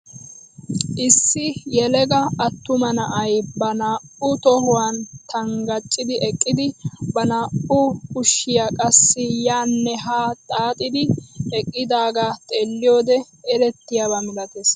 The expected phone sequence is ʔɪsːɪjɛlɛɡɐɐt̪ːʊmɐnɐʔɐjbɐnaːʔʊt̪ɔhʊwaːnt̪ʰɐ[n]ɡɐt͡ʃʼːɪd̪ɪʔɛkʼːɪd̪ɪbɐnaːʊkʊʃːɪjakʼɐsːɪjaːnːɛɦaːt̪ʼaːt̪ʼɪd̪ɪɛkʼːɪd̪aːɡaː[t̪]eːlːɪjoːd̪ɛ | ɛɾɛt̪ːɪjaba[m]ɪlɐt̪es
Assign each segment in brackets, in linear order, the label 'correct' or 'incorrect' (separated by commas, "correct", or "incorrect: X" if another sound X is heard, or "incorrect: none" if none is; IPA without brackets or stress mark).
incorrect: ŋ, incorrect: t̪ʼ, correct